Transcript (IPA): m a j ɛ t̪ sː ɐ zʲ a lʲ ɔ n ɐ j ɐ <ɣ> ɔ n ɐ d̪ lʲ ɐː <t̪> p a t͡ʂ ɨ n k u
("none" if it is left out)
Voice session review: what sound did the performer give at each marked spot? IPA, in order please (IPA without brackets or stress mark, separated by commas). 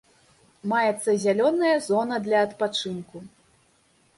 z, t̪